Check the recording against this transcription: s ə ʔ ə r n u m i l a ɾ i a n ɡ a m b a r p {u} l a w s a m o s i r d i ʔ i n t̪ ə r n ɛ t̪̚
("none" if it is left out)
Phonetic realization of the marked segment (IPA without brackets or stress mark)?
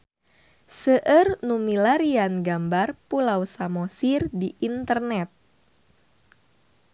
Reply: u